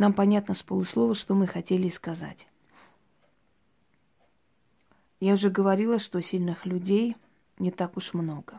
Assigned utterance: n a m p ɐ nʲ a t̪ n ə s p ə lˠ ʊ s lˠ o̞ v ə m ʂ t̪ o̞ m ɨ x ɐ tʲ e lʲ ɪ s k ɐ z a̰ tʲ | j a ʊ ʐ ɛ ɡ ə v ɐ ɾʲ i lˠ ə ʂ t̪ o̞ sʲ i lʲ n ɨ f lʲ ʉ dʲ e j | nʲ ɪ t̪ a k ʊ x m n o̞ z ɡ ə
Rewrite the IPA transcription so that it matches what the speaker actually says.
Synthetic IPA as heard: n a m p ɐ nʲ a t̪ n ə s p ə lˠ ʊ s lˠ o̞ v ə ʂ t̪ o̞ m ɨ x ɐ tʲ e lʲ ɪ s k ɐ z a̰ tʲ | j a ʊ ʐ ɛ ɡ ə v ɐ ɾʲ i lˠ ə ʂ t̪ o̞ sʲ i lʲ n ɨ x lʲ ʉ dʲ e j | nʲ ɪ t̪ a k ʊ ʂ m n o̞ ɡ ə